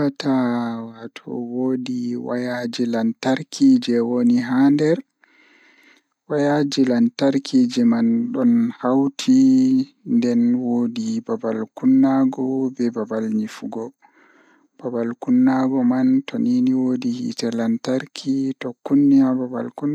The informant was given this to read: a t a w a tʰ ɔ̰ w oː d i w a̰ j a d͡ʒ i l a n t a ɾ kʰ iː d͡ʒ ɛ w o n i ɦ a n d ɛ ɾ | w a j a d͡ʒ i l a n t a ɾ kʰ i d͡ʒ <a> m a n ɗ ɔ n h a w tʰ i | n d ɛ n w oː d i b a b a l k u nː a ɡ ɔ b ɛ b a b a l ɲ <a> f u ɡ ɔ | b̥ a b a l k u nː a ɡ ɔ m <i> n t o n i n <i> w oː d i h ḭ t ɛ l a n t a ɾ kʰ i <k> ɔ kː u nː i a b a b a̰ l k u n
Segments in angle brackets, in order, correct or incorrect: incorrect: ɛ, incorrect: i, incorrect: a, correct, incorrect: t

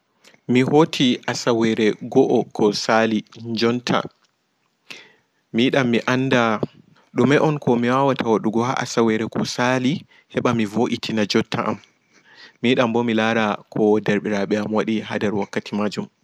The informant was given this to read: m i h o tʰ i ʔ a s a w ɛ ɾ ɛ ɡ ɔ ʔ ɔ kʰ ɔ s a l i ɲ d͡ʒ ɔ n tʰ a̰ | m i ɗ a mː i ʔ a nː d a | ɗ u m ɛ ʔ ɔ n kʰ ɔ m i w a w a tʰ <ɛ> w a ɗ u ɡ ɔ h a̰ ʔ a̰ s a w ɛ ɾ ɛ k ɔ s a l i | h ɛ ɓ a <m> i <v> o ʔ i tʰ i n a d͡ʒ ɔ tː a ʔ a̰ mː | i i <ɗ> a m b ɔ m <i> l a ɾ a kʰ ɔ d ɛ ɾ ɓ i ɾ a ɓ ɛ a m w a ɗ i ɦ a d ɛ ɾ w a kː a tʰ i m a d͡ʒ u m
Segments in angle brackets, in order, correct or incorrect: incorrect: a, correct, correct, correct, correct

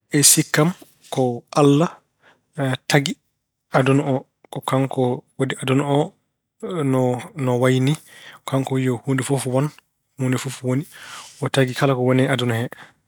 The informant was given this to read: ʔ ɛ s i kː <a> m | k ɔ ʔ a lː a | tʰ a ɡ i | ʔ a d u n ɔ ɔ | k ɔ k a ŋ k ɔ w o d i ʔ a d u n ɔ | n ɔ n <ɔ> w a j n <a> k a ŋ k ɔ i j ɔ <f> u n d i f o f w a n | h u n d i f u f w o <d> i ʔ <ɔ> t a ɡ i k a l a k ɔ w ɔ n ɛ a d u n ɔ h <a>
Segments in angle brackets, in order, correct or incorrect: correct, correct, incorrect: i, incorrect: h, incorrect: n, correct, incorrect: ɛ

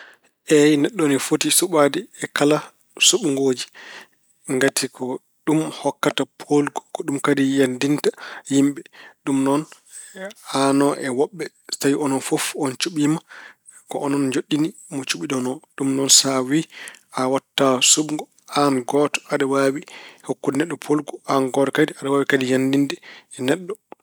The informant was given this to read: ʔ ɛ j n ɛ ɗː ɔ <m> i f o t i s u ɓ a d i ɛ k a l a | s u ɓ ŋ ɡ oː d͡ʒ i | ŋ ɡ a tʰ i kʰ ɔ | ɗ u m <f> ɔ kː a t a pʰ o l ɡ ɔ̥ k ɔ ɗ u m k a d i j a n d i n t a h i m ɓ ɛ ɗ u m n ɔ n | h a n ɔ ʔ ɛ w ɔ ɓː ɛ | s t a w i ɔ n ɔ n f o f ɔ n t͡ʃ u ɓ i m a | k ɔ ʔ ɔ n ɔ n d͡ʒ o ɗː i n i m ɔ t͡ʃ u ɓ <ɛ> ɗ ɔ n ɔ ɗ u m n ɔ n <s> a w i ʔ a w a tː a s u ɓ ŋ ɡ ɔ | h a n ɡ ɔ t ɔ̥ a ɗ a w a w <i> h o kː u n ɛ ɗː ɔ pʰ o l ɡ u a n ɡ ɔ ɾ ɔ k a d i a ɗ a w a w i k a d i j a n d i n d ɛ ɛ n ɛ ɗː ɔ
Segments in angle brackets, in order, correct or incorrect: incorrect: n, incorrect: h, incorrect: i, correct, correct

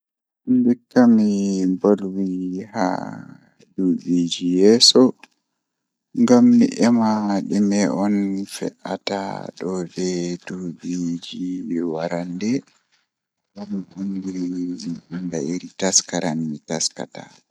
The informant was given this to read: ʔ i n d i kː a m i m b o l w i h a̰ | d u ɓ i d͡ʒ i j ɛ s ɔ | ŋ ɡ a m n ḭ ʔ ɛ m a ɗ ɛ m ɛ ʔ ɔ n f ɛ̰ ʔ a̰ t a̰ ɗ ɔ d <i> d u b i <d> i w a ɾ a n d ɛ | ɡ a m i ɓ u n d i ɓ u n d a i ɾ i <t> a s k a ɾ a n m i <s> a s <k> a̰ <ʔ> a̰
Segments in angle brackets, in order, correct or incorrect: incorrect: ɛ, incorrect: d͡ʒ, correct, incorrect: t, correct, incorrect: t

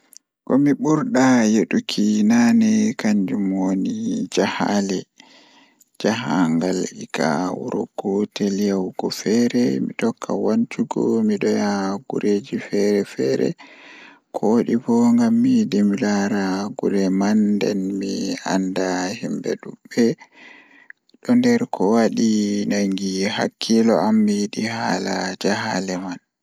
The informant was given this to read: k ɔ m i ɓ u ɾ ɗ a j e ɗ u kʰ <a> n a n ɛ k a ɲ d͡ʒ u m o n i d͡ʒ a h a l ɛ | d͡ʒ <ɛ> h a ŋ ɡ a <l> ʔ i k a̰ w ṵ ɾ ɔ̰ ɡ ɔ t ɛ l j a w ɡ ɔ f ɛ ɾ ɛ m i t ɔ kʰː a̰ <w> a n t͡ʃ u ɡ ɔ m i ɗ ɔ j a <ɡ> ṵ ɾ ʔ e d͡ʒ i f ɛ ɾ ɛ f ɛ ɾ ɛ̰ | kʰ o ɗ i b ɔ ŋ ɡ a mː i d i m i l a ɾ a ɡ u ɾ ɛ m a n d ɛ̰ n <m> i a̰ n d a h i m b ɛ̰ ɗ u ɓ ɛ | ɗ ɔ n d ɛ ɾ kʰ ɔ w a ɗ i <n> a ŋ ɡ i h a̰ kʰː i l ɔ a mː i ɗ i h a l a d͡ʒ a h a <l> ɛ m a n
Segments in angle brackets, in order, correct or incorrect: incorrect: i, incorrect: a, correct, correct, correct, correct, correct, correct

